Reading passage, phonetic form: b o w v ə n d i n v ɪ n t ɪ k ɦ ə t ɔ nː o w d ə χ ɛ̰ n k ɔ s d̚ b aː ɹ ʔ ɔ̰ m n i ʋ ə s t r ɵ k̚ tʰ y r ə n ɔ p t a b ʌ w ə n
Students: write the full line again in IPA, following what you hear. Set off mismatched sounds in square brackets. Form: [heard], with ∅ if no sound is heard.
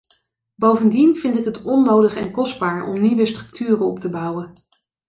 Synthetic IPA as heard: b o w v ə n d i n v ɪ n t ɪ k ɦ ə t ɔ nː o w d ə χ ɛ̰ n k ɔ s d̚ b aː ɹ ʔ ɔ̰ m n i ʋ ə s t r ɵ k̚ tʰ [yː] r ə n ɔ p t [ə] b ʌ w ə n

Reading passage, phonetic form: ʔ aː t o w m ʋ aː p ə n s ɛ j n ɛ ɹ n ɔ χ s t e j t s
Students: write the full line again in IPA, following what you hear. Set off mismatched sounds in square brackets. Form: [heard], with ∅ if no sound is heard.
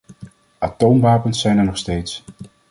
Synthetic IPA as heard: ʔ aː t o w m ʋ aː p ə n s ɛ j n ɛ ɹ n ɔ χ s t e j t s

